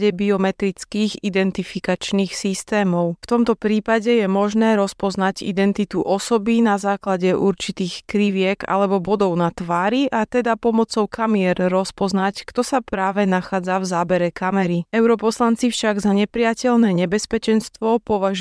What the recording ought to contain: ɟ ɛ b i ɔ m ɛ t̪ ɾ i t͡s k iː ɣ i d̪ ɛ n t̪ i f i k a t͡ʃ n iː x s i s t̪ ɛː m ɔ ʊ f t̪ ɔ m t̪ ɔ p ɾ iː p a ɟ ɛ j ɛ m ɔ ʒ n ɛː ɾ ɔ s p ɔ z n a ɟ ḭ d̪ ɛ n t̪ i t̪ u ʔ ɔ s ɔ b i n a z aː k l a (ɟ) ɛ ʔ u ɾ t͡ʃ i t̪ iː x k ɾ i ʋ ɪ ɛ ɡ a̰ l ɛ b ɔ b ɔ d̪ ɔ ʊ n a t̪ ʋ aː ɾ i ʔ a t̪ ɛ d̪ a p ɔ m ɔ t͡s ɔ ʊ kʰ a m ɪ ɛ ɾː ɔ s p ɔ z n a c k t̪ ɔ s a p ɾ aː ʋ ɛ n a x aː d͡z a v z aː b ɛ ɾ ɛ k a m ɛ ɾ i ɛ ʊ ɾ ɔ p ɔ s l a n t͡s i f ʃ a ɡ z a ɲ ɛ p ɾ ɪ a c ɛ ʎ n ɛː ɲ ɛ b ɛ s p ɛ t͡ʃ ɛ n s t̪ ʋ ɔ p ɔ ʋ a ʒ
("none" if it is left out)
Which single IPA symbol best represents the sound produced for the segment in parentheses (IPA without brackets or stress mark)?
ɟ